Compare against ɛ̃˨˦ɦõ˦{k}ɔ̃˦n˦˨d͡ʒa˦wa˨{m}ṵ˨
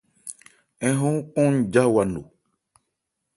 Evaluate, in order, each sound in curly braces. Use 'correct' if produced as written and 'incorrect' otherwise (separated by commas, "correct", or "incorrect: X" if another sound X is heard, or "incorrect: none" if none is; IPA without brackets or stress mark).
correct, incorrect: n